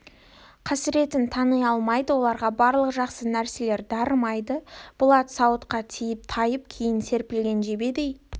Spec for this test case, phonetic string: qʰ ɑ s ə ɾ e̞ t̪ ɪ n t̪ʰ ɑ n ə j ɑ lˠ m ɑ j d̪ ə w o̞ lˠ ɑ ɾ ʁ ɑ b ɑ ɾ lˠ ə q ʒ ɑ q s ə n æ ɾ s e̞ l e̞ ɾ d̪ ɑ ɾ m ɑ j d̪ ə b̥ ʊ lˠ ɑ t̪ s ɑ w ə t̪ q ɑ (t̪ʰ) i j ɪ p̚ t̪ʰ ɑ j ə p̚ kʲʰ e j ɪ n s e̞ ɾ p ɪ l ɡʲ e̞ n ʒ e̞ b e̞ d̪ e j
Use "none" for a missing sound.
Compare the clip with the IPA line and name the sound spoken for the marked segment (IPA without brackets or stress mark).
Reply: t̪ʰ